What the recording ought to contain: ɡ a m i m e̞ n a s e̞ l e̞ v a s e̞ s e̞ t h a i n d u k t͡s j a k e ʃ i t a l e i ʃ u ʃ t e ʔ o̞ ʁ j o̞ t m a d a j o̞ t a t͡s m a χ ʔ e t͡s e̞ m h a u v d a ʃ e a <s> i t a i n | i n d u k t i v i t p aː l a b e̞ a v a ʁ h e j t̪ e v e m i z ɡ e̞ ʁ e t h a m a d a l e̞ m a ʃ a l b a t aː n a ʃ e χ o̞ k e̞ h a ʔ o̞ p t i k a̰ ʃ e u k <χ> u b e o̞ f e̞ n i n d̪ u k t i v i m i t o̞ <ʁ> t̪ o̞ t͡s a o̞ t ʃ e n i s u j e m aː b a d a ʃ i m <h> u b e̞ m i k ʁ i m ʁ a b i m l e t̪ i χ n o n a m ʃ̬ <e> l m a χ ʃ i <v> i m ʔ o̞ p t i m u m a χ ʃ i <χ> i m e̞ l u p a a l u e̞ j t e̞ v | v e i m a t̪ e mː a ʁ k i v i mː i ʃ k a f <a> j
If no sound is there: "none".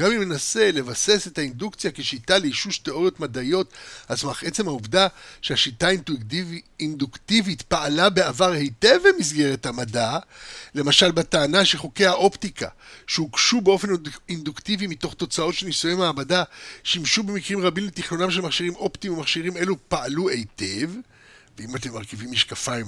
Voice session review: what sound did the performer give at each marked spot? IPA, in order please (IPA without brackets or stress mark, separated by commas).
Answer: ʃ, ʃ, χ, ʃ, e, ʁ, ʁ, a